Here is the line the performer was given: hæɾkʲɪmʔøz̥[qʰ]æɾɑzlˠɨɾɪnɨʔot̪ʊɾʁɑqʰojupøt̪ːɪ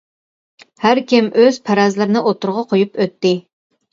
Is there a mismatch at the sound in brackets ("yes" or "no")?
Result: yes